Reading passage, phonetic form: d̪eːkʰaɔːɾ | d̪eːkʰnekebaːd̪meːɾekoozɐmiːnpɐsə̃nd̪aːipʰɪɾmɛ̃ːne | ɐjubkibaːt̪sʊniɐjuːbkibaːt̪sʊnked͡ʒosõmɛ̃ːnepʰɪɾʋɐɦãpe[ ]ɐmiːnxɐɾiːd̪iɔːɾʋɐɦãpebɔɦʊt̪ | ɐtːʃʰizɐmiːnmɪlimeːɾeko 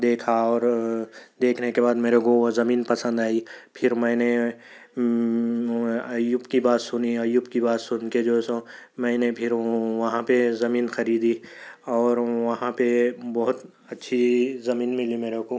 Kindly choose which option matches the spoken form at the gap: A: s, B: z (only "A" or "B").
B